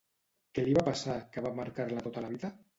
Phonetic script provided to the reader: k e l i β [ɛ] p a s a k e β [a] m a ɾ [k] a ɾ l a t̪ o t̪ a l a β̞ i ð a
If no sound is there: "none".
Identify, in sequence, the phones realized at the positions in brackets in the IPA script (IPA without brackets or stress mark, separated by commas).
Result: a, a, k